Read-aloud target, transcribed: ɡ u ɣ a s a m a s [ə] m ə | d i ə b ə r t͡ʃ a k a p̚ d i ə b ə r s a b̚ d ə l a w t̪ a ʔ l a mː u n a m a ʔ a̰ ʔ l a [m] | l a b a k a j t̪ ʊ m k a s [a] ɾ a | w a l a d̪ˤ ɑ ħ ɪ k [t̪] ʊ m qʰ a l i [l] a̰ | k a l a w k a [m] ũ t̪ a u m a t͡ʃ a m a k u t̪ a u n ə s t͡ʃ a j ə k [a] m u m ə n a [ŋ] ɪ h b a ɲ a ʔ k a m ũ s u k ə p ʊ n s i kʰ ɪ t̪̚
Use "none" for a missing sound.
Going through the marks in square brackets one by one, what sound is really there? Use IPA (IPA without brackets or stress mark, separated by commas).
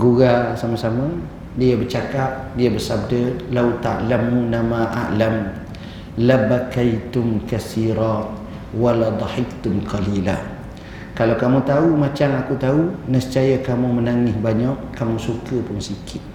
a, m, i, t̪, l, m, a, ŋ